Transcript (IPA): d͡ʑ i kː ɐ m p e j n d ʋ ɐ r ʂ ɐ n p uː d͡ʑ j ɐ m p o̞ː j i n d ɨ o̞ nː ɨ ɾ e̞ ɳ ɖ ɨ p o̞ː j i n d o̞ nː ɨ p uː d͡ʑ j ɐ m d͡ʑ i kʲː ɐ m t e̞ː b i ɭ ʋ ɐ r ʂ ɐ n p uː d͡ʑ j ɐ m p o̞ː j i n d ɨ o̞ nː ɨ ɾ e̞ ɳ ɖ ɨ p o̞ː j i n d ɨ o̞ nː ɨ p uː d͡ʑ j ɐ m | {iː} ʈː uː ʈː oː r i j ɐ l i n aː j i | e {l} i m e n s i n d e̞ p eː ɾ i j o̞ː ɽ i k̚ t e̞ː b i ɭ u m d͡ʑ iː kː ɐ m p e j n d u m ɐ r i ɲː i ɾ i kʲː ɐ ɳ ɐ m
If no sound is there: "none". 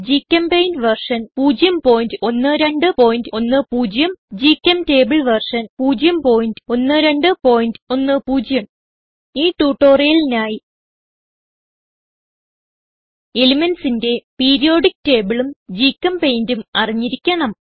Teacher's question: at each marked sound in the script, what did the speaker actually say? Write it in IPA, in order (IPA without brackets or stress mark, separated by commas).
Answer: iː, l